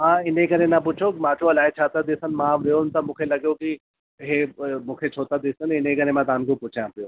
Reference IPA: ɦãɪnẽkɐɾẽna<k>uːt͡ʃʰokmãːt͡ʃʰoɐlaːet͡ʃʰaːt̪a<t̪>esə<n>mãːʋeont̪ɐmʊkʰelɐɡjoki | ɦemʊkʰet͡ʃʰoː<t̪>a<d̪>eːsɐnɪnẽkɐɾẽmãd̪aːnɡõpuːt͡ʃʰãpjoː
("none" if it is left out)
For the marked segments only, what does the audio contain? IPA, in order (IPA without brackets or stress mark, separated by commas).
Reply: p, d̪, n, t̪, d̪